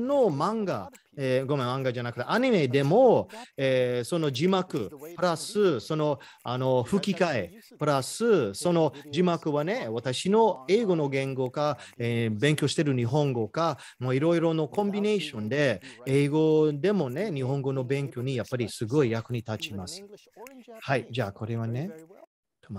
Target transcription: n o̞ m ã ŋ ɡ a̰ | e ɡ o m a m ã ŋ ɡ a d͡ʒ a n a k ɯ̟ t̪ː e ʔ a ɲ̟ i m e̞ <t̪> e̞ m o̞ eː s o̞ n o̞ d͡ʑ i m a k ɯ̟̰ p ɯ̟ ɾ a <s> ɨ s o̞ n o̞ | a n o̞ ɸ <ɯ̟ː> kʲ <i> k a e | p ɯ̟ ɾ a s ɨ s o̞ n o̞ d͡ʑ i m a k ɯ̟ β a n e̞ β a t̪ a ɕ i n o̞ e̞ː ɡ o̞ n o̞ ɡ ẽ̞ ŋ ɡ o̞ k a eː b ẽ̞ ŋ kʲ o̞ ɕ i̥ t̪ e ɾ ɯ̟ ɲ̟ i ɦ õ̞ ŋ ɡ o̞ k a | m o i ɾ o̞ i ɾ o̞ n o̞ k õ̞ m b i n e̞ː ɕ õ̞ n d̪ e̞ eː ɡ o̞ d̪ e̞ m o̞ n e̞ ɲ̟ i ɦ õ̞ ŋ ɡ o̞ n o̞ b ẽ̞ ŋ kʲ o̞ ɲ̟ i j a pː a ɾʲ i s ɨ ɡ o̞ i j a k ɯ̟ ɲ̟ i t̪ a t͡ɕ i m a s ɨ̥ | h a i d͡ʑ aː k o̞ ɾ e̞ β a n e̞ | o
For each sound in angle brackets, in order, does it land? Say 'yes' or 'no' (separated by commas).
no, yes, no, yes